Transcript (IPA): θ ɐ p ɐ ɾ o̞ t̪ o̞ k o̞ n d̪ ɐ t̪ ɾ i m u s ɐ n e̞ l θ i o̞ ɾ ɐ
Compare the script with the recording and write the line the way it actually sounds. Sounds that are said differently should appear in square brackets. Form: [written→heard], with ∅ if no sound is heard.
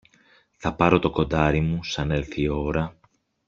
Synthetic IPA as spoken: θ ɐ p ɐ ɾ o̞ t̪ o̞ k o̞ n d̪ ɐ [t̪→∅] ɾ i m u s ɐ n e̞ l θ i o̞ ɾ ɐ